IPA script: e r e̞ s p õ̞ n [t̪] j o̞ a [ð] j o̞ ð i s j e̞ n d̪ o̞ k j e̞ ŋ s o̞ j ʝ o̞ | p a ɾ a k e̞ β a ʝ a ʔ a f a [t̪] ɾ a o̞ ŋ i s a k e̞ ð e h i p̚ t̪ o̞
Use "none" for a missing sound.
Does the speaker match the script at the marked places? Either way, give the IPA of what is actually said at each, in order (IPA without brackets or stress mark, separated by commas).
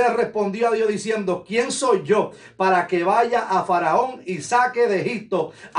d̪, ð, none